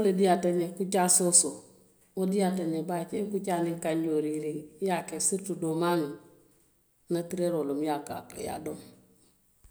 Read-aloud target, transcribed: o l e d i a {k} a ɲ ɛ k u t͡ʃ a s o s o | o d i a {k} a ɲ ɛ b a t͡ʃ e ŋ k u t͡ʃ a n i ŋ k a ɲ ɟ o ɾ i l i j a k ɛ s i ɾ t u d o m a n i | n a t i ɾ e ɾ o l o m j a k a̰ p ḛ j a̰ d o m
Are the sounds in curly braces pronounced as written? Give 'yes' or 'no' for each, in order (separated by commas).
no, no